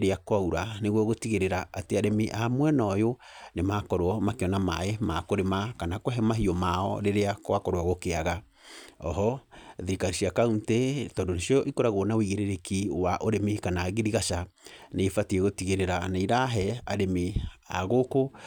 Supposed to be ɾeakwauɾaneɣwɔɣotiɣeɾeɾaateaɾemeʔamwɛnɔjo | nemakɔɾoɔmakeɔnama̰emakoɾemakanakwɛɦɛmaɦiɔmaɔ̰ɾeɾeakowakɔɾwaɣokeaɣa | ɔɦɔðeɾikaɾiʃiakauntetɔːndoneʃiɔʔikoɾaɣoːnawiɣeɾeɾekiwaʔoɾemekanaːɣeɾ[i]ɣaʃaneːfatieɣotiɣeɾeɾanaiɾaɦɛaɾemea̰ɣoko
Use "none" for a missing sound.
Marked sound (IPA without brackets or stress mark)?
i